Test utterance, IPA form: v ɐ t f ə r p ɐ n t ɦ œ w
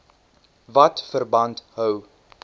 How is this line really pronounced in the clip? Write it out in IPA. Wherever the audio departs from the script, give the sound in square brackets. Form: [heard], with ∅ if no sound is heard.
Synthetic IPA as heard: v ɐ t f ə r [b] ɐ n t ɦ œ w